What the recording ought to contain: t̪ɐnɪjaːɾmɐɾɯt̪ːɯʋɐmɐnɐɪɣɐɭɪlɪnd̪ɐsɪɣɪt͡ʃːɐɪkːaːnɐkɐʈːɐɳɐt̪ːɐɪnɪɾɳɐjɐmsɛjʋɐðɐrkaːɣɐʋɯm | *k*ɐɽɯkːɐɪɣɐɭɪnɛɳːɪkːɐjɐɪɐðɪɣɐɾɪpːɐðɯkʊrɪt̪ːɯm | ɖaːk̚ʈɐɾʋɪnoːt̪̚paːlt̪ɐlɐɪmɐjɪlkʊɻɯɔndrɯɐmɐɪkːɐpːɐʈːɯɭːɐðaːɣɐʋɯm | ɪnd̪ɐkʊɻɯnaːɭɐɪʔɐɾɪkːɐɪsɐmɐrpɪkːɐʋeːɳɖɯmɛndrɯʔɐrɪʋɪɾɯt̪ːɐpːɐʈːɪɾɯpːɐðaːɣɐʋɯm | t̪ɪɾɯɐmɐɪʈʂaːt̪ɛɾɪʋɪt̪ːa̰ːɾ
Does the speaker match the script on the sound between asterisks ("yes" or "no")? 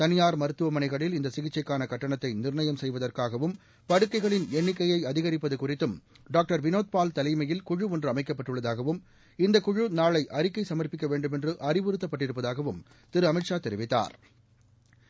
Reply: no